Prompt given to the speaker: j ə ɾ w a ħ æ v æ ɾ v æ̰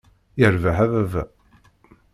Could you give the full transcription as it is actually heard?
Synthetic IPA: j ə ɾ v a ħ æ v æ v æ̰